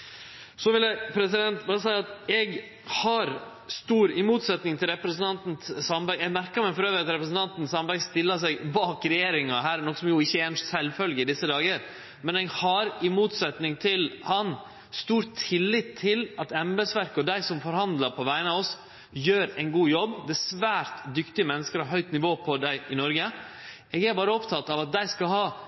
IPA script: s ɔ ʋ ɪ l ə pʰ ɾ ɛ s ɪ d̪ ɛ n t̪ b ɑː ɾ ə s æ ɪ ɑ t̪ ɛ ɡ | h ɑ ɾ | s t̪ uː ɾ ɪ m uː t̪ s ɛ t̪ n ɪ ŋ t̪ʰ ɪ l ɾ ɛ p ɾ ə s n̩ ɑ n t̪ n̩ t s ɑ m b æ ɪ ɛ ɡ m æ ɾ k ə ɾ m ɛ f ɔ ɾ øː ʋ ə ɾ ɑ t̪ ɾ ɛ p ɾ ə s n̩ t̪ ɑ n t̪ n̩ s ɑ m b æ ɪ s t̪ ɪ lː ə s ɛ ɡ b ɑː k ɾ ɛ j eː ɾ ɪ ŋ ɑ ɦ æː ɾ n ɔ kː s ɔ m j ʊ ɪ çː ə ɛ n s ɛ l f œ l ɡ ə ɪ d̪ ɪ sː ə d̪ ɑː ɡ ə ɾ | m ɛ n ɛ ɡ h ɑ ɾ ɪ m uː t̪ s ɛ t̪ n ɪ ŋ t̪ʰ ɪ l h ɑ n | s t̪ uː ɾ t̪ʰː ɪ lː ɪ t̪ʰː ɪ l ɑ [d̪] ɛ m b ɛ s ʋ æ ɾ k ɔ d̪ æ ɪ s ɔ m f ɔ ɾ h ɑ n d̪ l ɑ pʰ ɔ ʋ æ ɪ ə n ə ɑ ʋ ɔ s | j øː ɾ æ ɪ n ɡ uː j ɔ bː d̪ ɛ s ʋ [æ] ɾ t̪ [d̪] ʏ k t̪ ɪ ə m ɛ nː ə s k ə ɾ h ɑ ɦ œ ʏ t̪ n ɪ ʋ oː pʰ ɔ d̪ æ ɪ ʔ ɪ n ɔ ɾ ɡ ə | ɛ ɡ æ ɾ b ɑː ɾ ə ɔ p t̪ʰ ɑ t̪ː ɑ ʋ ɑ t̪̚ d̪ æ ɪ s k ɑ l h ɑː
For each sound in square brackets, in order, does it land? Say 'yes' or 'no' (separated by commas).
no, no, yes